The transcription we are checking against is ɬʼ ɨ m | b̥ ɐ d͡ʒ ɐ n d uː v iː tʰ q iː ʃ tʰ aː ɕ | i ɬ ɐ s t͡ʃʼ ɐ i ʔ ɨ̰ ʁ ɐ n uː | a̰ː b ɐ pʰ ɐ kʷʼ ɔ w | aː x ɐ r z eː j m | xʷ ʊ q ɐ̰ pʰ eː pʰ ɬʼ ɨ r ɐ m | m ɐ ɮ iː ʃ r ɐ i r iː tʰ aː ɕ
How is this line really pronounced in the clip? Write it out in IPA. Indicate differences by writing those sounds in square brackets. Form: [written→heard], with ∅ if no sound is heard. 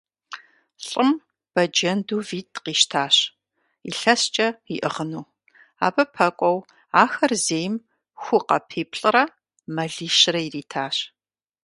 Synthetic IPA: ɬʼ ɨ m | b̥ ɐ d͡ʒ ɐ n d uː v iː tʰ q iː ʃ tʰ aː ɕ | i ɬ ɐ s t͡ʃʼ ɐ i ʔ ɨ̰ ʁ [ɐ→ə] n uː | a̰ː b ɐ pʰ ɐ kʷʼ ɔ w | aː x ɐ r z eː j m | xʷ ʊ q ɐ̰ pʰ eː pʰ ɬʼ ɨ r ɐ [m→∅] | m ɐ ɮ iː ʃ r ɐ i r iː tʰ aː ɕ